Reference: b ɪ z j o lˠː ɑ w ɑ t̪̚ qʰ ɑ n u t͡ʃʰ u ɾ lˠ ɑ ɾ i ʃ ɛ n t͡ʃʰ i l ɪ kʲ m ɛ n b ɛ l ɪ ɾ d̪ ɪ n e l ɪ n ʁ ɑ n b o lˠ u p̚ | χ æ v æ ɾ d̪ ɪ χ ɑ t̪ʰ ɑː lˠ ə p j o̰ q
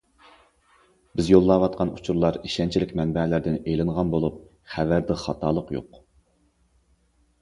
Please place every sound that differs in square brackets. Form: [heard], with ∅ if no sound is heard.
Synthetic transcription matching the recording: b ɪ z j o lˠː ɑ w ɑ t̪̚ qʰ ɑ n u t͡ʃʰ u ɾ lˠ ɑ ɾ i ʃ ɛ n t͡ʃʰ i l ɪ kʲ m ɛ n b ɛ l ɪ ɾ d̪ ɪ n e l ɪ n ʁ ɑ n b o lˠ u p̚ | χ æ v æ ɾ d̪ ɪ χ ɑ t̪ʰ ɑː lˠ ə [q] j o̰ q